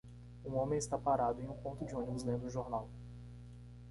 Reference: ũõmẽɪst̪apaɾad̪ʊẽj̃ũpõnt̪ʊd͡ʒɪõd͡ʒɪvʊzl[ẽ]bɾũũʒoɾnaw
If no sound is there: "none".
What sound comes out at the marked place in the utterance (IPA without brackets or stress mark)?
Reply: ẽ